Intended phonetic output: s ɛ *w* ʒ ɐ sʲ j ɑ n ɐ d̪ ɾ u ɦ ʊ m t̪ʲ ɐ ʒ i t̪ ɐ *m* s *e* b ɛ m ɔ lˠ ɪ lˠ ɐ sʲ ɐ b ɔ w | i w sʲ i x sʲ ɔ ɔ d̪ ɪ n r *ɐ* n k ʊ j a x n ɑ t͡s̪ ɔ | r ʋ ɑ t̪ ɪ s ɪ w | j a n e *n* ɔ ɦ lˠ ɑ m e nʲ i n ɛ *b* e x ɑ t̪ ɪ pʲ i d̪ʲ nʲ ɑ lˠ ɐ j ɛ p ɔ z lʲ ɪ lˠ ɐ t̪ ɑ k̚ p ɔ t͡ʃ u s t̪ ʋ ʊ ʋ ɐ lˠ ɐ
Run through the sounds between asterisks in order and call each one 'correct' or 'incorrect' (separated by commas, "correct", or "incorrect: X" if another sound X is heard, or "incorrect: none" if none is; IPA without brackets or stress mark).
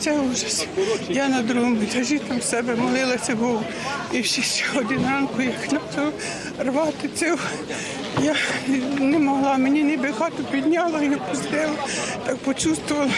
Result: incorrect: u, correct, incorrect: ɛ, incorrect: ɑ, incorrect: m, correct